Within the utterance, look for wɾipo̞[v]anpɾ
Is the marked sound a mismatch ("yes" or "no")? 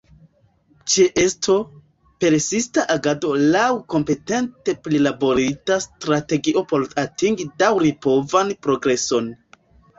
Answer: no